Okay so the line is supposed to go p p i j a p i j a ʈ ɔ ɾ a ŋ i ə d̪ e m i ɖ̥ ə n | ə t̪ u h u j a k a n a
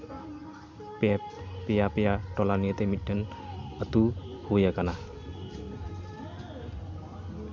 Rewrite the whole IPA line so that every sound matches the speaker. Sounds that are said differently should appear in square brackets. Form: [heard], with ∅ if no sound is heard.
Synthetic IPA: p p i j a p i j a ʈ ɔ [l] a [n] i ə [t̪] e m i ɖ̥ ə n | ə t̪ u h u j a k a n a